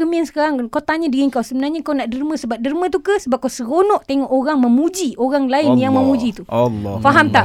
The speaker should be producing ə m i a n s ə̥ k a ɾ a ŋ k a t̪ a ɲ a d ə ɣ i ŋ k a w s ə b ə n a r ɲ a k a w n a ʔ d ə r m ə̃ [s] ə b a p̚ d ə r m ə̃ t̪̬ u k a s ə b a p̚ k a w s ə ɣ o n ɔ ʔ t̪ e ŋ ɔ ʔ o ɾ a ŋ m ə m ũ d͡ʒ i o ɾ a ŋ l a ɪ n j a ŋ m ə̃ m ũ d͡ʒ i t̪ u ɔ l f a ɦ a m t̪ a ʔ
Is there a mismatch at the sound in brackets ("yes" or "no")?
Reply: no